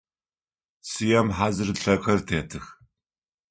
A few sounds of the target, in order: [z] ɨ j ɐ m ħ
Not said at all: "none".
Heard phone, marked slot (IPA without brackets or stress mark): s